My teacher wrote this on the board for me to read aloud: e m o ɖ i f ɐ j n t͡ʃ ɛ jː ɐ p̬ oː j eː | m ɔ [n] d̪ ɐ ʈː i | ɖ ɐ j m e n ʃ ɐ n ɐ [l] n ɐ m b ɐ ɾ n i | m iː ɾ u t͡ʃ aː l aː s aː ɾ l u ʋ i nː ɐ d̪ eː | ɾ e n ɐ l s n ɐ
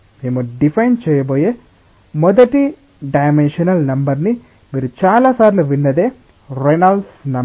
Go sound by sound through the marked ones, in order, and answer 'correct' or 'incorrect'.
incorrect: none, correct

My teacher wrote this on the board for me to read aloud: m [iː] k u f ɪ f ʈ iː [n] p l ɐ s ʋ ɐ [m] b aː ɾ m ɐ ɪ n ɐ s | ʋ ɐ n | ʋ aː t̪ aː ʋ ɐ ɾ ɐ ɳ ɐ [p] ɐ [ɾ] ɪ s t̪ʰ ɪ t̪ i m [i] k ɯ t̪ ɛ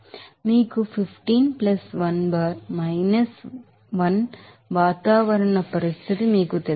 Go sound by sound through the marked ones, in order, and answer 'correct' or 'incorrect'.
correct, correct, incorrect: n, correct, correct, incorrect: iː

